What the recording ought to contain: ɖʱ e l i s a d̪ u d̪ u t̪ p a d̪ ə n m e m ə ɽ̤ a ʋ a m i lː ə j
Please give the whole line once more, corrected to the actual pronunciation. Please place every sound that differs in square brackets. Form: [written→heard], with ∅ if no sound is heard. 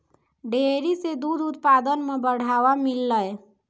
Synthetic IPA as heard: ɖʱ e [l→ɾ] i s [a→e] d̪ u d̪ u t̪ p a d̪ ə n m e [m→b] ə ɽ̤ a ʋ a m i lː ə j